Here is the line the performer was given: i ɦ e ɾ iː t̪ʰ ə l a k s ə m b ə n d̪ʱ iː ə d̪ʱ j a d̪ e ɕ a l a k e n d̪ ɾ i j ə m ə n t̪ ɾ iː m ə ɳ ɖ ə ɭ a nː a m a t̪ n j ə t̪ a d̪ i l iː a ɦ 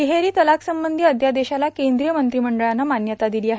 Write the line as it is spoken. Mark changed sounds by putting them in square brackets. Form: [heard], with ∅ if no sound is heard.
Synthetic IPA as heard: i ɦ e ɾ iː [t̪] ə l a k s ə m b ə n d̪ʱ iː ə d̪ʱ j a d̪ e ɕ a l a k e n d̪ ɾ i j ə m ə n t̪ ɾ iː m ə ɳ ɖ ə ɭ a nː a m a [∅] n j ə t̪ a d̪ i l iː a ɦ